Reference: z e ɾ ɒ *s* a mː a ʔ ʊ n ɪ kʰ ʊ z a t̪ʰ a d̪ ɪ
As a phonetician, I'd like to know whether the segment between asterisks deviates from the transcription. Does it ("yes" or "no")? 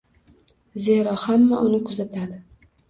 yes